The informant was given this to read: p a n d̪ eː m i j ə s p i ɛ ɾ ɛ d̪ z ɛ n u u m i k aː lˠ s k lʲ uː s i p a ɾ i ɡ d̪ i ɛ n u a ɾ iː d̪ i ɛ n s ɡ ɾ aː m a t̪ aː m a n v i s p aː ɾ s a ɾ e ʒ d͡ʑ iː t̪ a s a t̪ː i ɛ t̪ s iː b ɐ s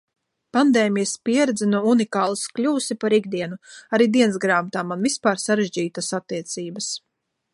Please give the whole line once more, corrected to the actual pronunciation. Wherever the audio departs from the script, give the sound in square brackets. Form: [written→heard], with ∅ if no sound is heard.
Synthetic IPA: p a n d̪ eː m i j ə s p i ɛ ɾ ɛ d̪ z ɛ n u u [m→n] i k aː lˠ s k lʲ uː s i p a ɾ i ɡ d̪ i ɛ n u a ɾ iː d̪ i ɛ n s ɡ ɾ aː m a t̪ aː m a n v i s p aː ɾ s a ɾ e ʒ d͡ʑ iː t̪ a s a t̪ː i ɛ t̪ s iː b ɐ s